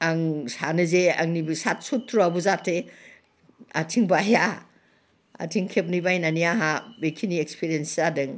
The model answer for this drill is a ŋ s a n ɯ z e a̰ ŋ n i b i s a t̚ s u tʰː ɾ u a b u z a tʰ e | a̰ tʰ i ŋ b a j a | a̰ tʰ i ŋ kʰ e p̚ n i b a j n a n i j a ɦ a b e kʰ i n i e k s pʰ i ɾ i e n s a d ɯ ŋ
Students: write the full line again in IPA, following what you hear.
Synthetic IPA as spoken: a ŋ s a n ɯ z e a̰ ŋ n i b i s a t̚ s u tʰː ɾ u a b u z a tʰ e | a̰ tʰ i ŋ b a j a | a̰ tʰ i ŋ kʰ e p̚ n i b a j n a n i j a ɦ a b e kʰ i n i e k s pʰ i ɾ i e n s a d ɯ ŋ